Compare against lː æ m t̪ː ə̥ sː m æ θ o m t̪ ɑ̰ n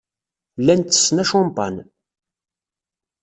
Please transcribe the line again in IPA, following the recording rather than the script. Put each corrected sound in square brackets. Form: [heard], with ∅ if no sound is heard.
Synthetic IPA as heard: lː æ [n] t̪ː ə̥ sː [n] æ [ʃ] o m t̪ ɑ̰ n